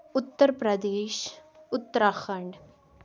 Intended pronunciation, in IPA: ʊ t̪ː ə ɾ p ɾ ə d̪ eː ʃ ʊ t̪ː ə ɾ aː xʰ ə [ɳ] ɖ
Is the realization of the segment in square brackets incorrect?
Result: no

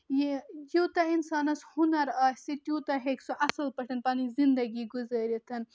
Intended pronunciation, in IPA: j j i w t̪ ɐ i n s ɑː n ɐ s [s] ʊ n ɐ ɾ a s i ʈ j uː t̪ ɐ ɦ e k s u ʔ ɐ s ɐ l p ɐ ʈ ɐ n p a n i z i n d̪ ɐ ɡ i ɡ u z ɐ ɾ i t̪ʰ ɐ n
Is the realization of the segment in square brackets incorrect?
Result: yes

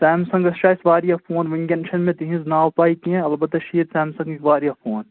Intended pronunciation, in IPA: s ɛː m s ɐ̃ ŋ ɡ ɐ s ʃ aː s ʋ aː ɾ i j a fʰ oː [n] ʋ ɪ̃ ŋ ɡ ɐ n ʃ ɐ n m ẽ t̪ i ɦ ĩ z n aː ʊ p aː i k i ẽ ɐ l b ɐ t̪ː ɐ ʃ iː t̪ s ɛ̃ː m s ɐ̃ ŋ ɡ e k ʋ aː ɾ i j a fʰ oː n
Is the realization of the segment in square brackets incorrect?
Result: no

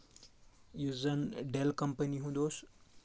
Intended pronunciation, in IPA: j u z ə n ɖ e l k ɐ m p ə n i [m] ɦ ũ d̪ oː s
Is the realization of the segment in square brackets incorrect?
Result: yes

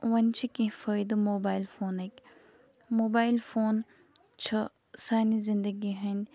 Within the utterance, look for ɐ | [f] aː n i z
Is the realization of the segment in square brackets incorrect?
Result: yes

